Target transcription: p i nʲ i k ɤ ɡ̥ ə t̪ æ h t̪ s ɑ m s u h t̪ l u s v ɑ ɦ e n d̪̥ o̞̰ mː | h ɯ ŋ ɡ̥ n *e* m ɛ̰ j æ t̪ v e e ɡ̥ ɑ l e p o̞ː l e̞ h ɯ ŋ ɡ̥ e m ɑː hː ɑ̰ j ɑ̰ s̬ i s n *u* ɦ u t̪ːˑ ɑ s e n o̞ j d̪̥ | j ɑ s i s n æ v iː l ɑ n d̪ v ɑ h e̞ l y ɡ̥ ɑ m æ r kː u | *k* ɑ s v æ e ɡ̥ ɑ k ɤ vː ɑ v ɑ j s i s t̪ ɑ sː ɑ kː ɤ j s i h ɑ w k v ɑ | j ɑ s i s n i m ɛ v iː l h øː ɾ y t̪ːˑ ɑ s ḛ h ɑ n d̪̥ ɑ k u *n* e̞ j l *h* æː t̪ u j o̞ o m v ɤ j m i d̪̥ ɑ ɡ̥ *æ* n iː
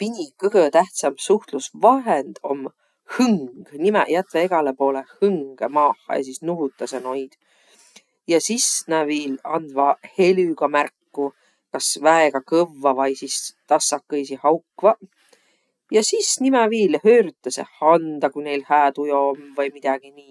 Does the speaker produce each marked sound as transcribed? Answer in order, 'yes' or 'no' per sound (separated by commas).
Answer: no, yes, yes, yes, yes, no